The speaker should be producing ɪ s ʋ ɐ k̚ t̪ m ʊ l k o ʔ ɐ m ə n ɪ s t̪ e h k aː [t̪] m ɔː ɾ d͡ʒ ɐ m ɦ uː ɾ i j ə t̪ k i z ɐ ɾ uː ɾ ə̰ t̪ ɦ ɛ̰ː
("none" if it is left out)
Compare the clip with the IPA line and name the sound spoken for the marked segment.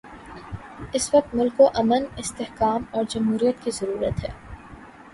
none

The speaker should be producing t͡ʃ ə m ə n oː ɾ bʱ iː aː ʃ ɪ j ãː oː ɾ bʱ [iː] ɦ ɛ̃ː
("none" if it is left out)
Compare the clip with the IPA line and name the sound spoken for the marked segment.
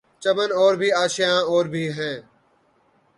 iː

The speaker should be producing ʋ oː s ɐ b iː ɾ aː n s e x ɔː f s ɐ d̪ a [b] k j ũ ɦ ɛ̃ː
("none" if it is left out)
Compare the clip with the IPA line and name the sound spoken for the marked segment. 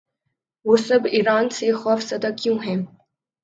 none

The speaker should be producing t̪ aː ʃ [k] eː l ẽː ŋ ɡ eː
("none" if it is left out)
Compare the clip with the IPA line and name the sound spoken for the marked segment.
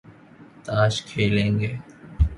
kʰ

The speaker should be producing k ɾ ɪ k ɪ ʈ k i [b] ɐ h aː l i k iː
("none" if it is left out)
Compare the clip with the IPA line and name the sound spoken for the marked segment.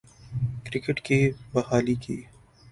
b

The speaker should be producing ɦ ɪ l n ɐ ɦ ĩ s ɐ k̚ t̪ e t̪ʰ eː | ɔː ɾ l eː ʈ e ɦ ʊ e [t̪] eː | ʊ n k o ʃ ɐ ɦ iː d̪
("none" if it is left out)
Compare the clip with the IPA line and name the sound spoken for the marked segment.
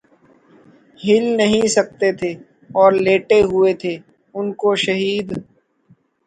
t̪ʰ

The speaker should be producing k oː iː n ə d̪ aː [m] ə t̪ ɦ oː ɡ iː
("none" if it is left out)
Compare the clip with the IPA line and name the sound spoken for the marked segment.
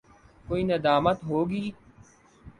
m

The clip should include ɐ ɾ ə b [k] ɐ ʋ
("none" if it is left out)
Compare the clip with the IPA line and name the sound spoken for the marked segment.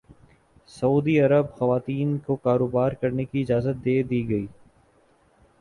x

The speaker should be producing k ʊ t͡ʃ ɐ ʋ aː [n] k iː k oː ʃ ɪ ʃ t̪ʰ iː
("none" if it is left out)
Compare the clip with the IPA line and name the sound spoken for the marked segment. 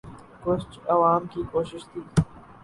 m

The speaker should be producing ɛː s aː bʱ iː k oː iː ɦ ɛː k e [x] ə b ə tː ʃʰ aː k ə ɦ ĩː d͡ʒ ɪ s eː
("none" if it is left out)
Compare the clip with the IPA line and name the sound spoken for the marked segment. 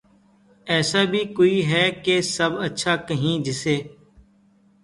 s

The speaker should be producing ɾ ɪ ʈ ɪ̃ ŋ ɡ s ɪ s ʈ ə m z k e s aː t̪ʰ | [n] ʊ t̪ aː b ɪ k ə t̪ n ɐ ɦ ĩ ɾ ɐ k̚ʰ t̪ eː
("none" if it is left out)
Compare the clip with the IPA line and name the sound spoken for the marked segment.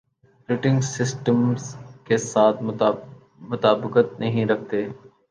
m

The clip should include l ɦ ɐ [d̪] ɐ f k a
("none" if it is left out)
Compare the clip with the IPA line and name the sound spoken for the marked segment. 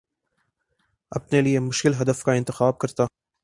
d̪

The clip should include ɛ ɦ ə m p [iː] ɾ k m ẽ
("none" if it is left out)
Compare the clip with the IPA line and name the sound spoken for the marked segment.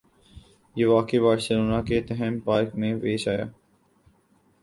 aː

